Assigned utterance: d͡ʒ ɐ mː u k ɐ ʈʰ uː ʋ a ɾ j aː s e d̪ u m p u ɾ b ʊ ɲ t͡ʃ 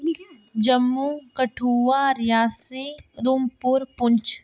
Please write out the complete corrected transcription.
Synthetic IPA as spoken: d͡ʒ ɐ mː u k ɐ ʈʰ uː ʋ a ɾ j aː s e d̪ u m p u ɾ p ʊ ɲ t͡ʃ

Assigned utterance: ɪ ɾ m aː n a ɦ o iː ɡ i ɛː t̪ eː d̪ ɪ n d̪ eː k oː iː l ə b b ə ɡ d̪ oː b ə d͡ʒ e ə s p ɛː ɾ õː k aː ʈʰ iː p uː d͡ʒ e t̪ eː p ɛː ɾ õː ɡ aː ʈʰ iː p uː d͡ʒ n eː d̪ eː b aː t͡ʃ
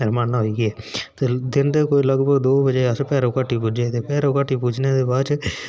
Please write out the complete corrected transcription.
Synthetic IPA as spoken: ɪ ɾ m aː n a ɦ o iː ɡ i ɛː t̪ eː d̪ ɪ n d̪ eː k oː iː l ə ɡ b ə ɡ d̪ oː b ə d͡ʒ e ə s p ɛː ɾ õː k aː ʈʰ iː p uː d͡ʒ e t̪ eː p ɛː ɾ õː k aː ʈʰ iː p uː d͡ʒ n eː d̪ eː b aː t͡ʃ

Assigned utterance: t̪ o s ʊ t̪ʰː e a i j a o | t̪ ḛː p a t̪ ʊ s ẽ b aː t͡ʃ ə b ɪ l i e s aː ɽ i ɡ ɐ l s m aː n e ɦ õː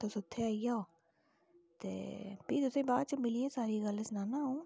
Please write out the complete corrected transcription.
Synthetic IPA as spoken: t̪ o s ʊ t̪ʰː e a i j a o | t̪ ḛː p i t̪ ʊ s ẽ b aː t͡ʃ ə m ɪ l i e s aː ɾ i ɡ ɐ l s n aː n a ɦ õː

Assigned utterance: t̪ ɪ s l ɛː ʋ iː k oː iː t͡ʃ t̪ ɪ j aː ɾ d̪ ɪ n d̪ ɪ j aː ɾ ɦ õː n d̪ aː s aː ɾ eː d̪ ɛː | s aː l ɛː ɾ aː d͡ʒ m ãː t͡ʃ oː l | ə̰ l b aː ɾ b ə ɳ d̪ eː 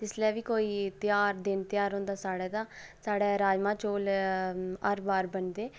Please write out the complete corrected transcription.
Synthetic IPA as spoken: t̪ ɪ s l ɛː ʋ iː k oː iː t̪ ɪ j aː ɾ d̪ ɪ n t̪ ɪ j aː ɾ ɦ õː n d̪ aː s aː ɽ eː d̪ aː | s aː ɽ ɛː ɾ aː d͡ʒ m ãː t͡ʃ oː l | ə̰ ɾ b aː ɾ b ə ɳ d̪ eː

